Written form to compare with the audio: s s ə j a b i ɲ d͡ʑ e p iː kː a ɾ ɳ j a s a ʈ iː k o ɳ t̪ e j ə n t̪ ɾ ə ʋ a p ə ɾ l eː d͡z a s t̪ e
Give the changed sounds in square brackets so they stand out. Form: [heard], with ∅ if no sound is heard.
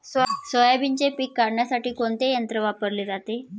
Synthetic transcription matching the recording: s s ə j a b i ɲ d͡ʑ e p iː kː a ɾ ɳ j a s a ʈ iː k o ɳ t̪ e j ə n t̪ ɾ ə ʋ a p ə ɾ l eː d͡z a [∅] t̪ e